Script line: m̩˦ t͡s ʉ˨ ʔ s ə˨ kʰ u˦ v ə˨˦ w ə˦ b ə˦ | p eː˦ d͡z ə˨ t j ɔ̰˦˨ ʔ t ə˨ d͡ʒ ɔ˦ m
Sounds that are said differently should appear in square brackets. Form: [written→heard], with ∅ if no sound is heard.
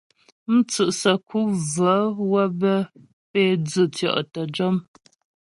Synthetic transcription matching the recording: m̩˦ t͡s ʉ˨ ʔ s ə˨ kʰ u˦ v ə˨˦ w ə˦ b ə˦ | p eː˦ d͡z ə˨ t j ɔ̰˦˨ ʔ t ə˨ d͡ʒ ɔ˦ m